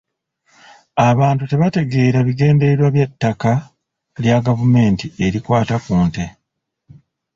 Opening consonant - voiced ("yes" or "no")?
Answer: yes